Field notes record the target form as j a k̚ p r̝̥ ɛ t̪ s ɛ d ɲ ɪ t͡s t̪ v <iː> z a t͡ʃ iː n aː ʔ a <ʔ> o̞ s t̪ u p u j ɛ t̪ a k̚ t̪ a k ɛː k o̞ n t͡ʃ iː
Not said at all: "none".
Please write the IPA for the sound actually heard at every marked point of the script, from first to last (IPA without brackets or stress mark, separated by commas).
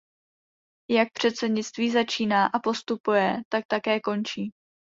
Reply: iː, p